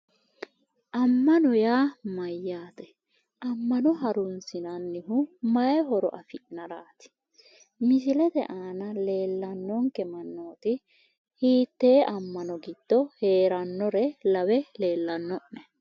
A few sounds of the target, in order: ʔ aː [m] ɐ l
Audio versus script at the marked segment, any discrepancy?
yes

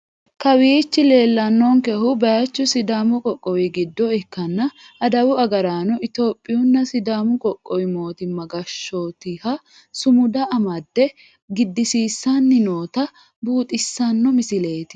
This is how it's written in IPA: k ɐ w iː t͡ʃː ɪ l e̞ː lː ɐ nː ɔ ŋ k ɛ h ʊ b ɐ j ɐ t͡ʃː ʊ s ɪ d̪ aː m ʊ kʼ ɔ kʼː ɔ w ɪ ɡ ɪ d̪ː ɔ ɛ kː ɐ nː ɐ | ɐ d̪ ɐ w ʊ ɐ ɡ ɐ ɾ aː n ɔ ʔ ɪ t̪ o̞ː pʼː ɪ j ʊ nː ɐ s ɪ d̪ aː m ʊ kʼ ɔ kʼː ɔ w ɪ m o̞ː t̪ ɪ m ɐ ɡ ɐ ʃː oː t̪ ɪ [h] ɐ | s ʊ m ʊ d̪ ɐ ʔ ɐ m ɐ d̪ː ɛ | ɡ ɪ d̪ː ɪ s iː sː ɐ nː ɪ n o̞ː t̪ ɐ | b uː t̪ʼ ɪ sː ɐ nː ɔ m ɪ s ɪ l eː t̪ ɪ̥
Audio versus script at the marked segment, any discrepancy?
no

